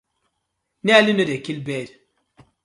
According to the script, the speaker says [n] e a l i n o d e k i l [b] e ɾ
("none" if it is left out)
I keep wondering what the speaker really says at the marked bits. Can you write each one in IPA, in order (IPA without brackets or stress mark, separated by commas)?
n, b